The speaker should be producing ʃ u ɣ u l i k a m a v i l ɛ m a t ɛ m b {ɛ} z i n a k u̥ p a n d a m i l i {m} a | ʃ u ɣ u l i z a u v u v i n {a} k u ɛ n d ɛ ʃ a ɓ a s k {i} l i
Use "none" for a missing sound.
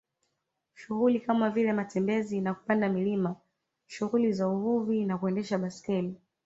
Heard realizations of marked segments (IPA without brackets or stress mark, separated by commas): ɛ, m, a, ɛ